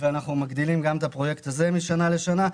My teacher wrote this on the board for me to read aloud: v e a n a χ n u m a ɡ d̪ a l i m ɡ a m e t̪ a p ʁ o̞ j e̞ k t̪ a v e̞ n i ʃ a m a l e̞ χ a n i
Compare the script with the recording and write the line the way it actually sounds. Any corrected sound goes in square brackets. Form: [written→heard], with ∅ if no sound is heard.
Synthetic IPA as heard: v e a n a χ n u m a ɡ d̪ [a→i] l i m ɡ a m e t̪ a p ʁ o̞ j e̞ k t̪ a [v→z] e̞ [n→m] i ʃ a [m→n] a l e̞ [χ→ʃ] a n [i→a]

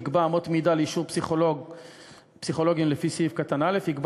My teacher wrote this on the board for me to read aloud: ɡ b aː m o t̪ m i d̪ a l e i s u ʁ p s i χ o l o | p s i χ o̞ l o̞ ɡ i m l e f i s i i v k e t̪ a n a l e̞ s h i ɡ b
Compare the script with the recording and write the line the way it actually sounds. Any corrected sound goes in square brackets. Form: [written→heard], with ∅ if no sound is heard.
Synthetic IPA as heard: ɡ b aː m o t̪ m i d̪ a l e i [s→ʃ] u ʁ p s i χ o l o | p s i χ o̞ l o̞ ɡ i m l e f i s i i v k [e→a] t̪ a n a l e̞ [s→f] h i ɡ b

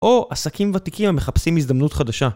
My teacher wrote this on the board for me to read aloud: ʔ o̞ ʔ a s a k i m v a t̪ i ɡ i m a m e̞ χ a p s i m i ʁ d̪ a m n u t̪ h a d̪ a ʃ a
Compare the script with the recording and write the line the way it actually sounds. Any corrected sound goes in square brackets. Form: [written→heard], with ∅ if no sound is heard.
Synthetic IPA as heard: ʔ o̞ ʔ a s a k i m v a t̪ i [ɡ→k] i m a m e̞ χ a p s i m i [ʁ→z] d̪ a m n u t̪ [h→χ] a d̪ a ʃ a

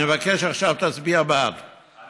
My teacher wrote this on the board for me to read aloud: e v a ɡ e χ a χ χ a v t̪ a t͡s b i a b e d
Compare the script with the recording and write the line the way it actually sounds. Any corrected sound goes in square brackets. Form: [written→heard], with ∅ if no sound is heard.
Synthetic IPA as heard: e v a [ɡ→k] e [χ→ʃ] a χ [χ→ʃ] a v t̪ a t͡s b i a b [e→a] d

